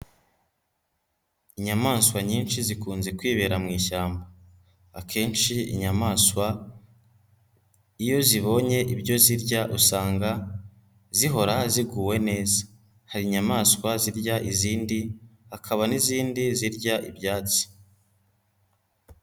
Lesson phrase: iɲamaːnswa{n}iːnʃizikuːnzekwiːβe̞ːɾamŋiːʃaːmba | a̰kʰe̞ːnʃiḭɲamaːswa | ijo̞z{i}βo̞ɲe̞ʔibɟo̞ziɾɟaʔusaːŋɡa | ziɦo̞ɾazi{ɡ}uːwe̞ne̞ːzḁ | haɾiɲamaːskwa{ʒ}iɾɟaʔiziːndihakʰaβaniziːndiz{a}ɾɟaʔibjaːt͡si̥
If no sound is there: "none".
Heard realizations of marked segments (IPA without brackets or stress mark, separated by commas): ɲ, i, ɡ, z, i